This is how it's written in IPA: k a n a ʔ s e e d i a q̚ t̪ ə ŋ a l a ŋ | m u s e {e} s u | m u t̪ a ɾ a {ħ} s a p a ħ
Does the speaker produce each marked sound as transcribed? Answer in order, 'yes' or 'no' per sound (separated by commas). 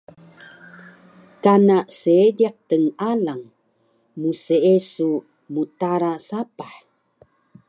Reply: yes, no